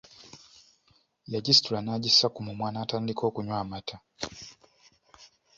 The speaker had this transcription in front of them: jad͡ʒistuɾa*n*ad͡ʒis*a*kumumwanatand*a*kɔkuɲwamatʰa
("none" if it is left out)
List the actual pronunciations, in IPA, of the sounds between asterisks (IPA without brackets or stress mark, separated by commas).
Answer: n, a, i